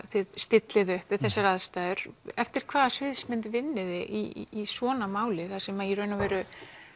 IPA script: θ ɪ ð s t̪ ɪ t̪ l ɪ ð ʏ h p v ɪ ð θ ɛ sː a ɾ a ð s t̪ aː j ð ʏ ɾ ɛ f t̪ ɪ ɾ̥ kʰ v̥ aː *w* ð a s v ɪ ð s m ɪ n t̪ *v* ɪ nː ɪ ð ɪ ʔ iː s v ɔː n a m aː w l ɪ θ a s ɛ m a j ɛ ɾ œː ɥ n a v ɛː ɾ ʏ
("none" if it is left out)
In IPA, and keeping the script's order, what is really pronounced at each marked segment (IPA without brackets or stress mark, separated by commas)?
none, v